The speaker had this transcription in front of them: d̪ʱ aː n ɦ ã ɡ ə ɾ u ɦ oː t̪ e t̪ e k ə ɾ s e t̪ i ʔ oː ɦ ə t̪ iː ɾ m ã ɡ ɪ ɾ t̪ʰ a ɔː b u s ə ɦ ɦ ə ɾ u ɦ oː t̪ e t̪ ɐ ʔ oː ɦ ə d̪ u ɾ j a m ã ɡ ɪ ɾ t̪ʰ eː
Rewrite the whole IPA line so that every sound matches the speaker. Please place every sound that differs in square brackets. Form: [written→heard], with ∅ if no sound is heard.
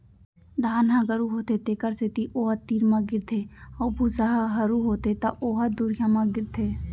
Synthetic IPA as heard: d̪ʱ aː n ɦ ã ɡ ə ɾ u ɦ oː t̪ e t̪ e k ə ɾ s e t̪ i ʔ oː ɦ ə t̪ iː ɾ m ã ɡ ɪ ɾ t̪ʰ [a→e] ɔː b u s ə ɦ ɦ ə ɾ u ɦ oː t̪ e t̪ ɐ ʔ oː ɦ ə d̪ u ɾ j a m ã ɡ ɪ ɾ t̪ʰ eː

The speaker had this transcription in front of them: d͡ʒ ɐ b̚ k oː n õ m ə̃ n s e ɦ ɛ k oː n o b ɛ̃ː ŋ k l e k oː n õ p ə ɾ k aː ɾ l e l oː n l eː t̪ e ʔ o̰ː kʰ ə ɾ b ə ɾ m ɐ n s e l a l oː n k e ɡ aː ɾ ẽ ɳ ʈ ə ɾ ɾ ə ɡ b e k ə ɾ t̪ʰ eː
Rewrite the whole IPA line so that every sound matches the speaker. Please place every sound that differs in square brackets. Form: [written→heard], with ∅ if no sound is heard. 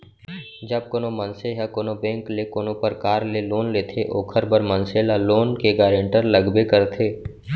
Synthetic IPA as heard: d͡ʒ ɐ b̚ k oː n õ m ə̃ n s e ɦ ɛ k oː n o b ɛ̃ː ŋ k l e k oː n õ p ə ɾ k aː ɾ l e l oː n l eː [t̪→t̪ʰ] e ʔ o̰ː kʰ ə ɾ b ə ɾ m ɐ n s e l a l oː n k e ɡ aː ɾ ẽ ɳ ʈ ə ɾ [ɾ→l] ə ɡ b e k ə ɾ t̪ʰ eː

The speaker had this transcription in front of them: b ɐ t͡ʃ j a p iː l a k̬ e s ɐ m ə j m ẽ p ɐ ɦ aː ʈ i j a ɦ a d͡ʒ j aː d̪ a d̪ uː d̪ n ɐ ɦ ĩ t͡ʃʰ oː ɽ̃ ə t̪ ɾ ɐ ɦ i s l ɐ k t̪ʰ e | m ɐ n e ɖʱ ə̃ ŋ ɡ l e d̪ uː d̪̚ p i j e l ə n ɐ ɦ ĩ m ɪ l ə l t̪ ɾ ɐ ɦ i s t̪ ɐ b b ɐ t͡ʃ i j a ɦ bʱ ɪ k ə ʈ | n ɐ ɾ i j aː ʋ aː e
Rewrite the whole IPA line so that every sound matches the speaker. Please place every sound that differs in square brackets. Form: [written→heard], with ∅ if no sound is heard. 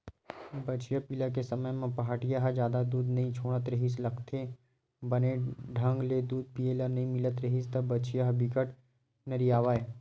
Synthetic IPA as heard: b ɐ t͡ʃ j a p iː l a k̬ e s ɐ m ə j m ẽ p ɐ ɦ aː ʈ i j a ɦ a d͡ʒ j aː d̪ a d̪ uː d̪ n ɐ ɦ ĩ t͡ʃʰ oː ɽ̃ ə t̪ ɾ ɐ ɦ i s l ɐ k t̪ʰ e | [m→b] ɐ n e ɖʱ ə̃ ŋ ɡ l e d̪ uː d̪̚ p i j e l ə n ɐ ɦ ĩ m ɪ l ə [l→∅] t̪ ɾ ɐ ɦ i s t̪ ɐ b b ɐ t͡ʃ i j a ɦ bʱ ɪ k ə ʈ | n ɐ ɾ i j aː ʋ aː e

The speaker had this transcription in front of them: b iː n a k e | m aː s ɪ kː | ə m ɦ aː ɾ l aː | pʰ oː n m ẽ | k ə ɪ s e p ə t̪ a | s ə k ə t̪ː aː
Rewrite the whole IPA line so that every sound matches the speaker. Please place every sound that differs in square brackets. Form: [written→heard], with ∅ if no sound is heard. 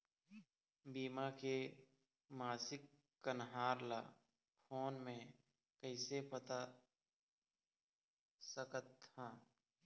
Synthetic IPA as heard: b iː [n→m] a k e | m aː s ɪ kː | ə [m→n] ɦ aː ɾ l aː | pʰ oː n m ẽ | k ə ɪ s e p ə t̪ a | s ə k ə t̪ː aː

